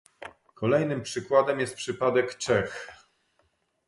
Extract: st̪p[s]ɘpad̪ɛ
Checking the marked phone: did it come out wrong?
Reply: yes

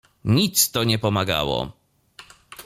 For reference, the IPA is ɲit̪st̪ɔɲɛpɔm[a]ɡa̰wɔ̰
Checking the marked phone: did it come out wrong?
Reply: no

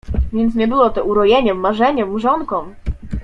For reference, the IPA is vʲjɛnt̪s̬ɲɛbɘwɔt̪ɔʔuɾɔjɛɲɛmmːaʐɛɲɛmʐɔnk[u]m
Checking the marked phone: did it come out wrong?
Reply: yes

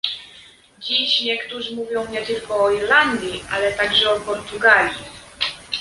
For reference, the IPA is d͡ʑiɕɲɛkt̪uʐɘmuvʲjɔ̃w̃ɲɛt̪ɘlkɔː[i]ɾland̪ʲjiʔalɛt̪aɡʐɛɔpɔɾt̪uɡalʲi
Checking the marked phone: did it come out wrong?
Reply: no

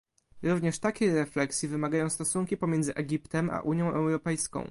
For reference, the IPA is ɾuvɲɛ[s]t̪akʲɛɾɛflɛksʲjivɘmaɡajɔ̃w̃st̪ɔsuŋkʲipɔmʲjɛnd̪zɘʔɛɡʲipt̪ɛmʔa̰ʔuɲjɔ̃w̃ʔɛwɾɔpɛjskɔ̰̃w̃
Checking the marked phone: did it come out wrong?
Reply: yes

